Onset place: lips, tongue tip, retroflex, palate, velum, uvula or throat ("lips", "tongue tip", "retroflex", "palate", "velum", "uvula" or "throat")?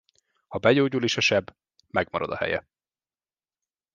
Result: throat